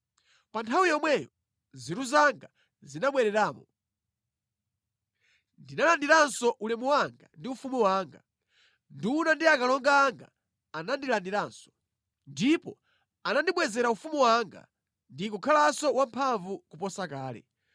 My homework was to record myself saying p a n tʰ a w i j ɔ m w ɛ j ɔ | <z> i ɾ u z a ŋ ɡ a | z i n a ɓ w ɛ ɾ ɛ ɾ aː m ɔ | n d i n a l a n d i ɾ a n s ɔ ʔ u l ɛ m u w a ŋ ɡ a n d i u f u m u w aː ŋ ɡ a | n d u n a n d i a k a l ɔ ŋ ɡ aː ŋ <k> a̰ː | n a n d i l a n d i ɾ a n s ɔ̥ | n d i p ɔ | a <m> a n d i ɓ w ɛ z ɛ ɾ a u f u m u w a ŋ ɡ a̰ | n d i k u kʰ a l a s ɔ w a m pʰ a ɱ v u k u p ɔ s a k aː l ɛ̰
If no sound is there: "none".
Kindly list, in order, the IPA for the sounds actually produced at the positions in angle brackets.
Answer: z, ɡ, n

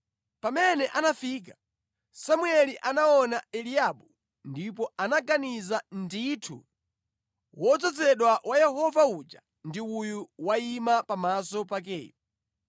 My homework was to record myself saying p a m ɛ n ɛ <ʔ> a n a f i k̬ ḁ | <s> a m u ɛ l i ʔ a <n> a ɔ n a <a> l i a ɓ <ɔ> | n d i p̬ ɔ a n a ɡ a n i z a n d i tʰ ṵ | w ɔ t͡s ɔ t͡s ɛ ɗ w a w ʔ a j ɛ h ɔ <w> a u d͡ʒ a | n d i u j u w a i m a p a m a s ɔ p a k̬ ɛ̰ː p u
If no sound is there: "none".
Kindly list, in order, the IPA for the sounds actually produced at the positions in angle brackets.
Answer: ʔ, s, n, ɛ, u, v

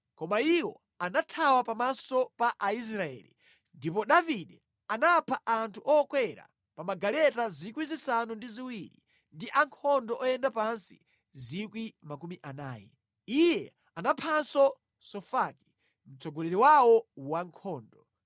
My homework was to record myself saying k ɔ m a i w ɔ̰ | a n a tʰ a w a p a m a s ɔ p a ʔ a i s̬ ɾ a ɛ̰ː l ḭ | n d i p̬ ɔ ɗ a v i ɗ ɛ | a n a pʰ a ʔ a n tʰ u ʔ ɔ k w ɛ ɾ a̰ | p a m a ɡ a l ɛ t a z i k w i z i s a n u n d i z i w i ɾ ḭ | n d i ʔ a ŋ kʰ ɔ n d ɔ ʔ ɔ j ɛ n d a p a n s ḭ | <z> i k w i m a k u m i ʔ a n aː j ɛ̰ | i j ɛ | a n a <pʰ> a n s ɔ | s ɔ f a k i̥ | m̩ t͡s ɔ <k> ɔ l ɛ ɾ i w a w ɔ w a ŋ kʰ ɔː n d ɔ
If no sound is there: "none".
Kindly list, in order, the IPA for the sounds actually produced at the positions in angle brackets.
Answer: z, pʰ, ɡ

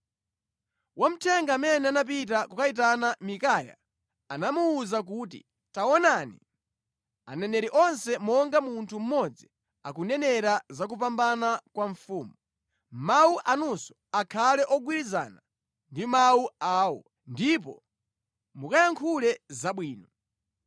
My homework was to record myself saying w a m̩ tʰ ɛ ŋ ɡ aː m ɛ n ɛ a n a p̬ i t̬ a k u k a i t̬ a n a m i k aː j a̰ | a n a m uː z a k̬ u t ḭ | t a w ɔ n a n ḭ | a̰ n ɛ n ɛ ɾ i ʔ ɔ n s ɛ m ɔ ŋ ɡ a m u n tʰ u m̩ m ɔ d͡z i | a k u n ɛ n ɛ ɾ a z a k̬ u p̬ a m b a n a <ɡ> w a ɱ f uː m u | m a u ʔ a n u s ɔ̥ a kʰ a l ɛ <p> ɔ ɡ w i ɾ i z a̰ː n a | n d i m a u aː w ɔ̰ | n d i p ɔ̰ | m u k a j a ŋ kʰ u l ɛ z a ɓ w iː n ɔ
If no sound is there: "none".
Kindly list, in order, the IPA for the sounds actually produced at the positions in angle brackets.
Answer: k, ʔ

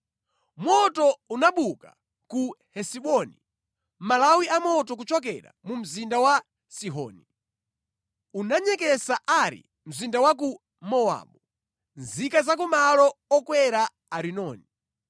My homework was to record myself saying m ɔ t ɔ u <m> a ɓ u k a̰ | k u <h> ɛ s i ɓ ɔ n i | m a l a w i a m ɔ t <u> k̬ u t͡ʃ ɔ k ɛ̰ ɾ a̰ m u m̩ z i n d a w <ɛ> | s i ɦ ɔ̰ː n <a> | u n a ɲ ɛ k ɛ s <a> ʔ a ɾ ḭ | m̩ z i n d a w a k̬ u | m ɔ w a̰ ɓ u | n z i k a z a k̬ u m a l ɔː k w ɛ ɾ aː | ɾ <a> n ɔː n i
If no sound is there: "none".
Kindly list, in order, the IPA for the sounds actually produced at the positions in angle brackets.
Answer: n, h, ɔ, a, i, a, i

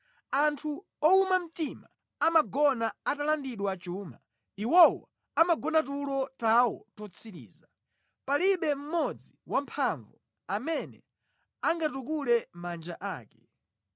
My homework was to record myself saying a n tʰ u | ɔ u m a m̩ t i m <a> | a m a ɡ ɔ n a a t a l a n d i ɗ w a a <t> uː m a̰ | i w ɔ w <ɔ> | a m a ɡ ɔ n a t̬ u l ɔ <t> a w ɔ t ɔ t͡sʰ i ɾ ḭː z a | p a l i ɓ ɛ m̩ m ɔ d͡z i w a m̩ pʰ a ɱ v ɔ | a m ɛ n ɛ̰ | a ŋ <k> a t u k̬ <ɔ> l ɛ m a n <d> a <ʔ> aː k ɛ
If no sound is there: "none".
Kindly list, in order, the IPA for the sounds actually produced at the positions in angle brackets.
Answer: a, t͡ʃ, ɔ, t, ɡ, u, d͡ʒ, ʔ

